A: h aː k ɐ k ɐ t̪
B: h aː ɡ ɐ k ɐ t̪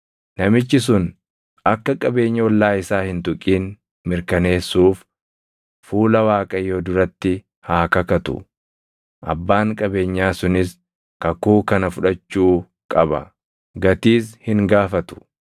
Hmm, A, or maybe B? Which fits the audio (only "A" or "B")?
A